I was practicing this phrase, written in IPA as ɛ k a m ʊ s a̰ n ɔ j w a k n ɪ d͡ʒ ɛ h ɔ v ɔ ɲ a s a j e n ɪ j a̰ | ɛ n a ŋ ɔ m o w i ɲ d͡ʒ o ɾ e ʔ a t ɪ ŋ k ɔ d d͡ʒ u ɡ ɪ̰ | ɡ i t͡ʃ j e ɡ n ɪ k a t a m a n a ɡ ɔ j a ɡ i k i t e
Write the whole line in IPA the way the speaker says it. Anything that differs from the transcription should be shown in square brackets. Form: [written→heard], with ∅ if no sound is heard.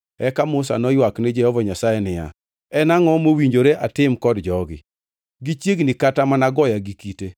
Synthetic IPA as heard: ɛ k a m ʊ s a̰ n ɔ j w a k n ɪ d͡ʒ ɛ h ɔ v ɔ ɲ a s a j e n ɪ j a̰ | ɛ n a ŋ ɔ m o w i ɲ d͡ʒ o ɾ e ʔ a t ɪ [ŋ→m] k ɔ d d͡ʒ [u→ɔ] ɡ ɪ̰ | ɡ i t͡ʃ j e ɡ n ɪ k a t a m a n a ɡ ɔ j a ɡ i k i t e